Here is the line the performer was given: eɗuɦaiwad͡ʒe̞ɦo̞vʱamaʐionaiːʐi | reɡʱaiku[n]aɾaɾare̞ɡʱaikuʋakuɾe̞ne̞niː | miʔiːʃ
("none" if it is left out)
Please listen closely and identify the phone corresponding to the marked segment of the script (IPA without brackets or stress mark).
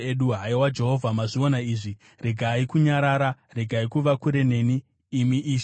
ɲ